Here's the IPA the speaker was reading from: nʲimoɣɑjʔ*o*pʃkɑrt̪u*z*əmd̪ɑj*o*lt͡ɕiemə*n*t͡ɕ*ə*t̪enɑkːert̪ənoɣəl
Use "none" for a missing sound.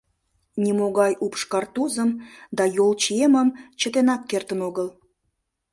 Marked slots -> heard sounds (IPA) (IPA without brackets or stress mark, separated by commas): u, z, o, m, ə